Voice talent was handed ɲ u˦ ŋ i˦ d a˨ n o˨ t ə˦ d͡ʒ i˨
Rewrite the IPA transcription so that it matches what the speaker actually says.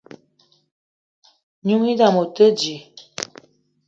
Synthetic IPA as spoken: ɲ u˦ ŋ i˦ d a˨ m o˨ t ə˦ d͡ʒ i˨